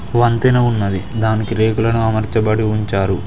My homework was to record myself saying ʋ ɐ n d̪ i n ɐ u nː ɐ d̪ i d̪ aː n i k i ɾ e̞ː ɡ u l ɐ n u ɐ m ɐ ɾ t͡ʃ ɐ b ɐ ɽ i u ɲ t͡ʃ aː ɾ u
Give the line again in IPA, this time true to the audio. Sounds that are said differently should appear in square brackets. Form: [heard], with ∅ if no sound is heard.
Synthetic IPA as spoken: ʋ ɐ n [t̪] i n ɐ u nː ɐ d̪ i d̪ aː n i k i ɾ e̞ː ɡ u l ɐ n u ɐ m ɐ ɾ t͡ʃ ɐ b ɐ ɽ i u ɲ t͡ʃ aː ɾ u